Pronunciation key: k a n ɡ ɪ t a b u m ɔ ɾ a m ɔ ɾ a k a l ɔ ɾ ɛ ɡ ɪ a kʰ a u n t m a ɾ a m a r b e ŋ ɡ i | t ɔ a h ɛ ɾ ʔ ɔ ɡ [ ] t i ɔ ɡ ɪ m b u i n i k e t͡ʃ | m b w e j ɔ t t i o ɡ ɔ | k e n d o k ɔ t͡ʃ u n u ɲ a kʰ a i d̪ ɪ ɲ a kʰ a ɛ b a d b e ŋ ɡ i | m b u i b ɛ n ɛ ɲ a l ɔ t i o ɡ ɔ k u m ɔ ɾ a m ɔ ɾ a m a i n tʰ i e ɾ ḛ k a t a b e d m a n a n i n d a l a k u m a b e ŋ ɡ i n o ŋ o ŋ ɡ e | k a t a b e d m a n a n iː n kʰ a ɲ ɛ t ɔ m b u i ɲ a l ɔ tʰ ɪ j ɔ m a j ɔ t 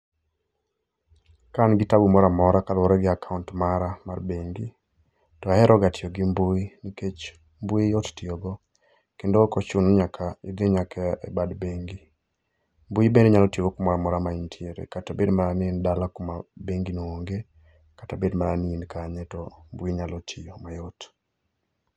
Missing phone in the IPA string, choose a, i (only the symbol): a